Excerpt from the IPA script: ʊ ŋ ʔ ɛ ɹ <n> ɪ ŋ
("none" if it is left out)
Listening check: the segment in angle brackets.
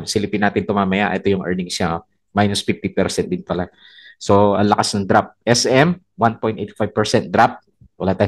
n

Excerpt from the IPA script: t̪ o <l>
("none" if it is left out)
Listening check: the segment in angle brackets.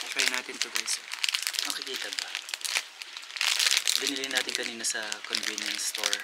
ɹ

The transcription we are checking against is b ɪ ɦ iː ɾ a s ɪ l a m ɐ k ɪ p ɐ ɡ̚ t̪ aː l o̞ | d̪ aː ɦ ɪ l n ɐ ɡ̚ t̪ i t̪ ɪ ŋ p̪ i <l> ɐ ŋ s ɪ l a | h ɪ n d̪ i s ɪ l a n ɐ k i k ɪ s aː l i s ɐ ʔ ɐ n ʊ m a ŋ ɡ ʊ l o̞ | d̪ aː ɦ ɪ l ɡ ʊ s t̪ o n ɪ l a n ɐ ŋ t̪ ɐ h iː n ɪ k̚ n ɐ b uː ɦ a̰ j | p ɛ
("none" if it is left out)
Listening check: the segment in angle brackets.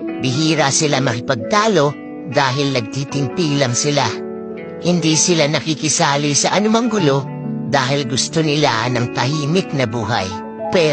l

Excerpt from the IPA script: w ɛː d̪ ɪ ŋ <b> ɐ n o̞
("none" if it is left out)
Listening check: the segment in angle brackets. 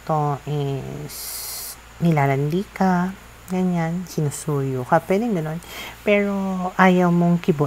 ɡ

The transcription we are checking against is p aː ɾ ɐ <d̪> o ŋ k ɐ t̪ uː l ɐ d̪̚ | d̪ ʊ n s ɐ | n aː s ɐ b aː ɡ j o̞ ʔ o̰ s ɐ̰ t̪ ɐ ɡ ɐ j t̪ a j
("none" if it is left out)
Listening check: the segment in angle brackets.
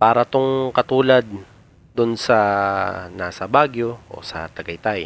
t̪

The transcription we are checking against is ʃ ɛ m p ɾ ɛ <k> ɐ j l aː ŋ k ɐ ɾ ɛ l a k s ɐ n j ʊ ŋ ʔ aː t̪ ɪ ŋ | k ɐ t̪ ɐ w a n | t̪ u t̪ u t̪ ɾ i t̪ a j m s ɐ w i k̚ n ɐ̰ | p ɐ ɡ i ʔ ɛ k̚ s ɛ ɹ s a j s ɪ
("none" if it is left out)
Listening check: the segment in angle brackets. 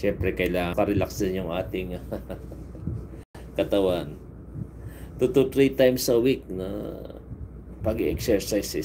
k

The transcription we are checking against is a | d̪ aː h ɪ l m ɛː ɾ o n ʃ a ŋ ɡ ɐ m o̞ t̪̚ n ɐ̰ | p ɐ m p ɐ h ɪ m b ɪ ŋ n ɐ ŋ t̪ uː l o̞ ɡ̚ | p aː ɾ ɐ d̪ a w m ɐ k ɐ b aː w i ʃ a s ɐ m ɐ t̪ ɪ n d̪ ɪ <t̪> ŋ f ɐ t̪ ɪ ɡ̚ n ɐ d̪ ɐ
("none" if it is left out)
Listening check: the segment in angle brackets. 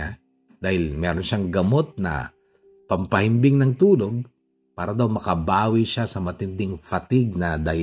none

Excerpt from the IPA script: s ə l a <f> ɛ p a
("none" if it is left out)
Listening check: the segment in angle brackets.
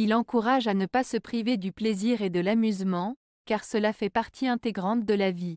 f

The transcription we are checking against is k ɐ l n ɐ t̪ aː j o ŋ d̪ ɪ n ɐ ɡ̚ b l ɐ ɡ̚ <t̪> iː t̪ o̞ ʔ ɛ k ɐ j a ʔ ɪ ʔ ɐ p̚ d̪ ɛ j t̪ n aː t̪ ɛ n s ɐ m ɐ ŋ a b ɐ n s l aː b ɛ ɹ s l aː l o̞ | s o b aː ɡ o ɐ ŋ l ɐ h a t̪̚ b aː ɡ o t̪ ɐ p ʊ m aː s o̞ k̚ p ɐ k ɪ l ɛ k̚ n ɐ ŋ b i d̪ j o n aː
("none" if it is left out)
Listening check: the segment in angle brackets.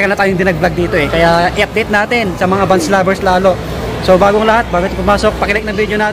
d̪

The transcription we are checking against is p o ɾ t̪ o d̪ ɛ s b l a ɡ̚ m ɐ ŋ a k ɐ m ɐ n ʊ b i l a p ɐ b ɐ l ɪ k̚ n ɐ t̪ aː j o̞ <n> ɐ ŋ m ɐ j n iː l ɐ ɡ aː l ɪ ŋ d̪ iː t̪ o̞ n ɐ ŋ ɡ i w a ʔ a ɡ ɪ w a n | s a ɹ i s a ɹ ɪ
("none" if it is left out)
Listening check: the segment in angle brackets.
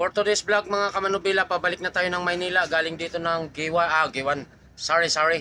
n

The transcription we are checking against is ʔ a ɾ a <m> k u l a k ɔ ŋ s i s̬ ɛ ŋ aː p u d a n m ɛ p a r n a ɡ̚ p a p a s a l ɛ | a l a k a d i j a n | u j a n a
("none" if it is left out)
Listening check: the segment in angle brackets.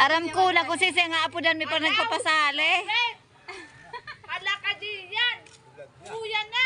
m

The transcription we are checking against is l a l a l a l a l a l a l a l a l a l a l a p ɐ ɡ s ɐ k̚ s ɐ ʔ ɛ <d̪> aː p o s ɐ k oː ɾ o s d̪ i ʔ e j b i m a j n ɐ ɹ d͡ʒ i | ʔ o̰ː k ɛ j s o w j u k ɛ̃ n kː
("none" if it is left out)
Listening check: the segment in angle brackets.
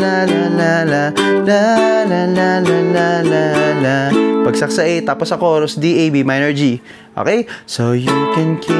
t̪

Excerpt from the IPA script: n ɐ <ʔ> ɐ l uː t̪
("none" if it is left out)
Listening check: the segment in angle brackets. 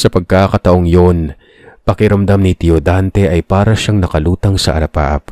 k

